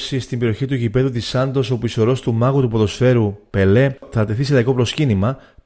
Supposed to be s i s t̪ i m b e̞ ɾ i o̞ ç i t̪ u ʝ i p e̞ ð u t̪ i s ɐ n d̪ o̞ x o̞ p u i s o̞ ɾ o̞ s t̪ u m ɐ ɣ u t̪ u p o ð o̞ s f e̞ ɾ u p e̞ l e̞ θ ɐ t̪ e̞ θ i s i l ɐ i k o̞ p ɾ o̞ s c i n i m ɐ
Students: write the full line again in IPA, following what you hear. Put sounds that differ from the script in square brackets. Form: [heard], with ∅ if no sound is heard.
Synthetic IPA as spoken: s i s t̪ i m b e̞ ɾ i o̞ ç i t̪ u ʝ i p e̞ ð u t̪ i s ɐ n d̪ o̞ [s] o̞ p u i s o̞ ɾ o̞ s t̪ u m ɐ ɣ u t̪ u p o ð o̞ s f e̞ ɾ u p e̞ l e̞ θ ɐ t̪ e̞ θ i s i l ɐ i k o̞ p ɾ o̞ s c i n i m ɐ